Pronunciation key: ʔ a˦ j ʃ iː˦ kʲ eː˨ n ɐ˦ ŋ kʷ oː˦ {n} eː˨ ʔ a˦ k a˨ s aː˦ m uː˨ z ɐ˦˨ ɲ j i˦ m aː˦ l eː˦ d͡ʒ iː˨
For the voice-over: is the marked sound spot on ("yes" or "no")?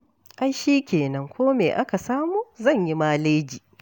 no